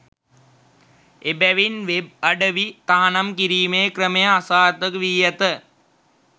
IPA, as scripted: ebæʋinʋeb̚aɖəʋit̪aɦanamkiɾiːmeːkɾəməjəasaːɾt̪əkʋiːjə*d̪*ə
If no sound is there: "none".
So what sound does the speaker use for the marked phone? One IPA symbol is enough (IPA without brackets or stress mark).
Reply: t̪